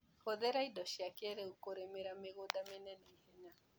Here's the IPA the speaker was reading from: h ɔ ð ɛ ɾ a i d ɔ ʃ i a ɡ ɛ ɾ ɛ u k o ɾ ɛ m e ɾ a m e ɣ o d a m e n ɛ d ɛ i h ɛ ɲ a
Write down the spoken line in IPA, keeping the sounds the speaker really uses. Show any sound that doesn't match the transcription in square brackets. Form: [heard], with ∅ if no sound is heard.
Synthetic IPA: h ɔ ð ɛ ɾ a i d ɔ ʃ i a [k] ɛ ɾ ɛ u k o ɾ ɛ m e ɾ a m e ɣ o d a m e n ɛ [n] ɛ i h ɛ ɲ a